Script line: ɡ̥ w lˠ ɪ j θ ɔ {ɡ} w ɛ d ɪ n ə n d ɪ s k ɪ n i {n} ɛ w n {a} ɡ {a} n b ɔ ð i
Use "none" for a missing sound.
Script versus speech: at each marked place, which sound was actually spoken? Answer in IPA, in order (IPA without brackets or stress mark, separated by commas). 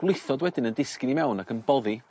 d, m, a, ə